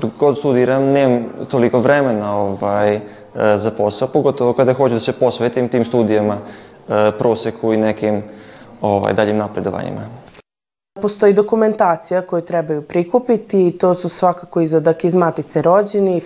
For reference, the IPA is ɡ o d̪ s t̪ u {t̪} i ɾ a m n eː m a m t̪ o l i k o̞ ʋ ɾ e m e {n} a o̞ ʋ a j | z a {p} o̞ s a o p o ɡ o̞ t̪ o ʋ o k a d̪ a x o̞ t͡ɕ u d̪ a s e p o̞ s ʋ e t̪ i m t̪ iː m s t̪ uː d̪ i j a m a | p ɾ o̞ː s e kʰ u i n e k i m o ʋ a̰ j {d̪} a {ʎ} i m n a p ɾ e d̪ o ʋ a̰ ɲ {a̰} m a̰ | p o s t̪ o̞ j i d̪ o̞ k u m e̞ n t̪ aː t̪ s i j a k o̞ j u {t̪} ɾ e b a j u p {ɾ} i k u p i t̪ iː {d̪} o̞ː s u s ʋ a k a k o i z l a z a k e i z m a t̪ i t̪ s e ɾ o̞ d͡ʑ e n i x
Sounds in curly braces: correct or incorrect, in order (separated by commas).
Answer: incorrect, correct, correct, correct, correct, incorrect, correct, correct, incorrect